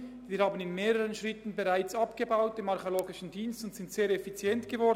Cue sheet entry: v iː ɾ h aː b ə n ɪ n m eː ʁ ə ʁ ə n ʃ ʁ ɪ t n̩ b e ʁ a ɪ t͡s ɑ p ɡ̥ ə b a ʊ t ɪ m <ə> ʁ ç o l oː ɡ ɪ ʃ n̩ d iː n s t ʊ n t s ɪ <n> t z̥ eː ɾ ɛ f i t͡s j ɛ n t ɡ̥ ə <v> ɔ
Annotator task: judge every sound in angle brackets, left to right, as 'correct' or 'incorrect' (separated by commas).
incorrect, correct, correct